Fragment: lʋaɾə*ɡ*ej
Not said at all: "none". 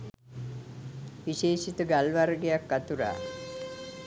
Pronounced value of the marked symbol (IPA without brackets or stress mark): ɡ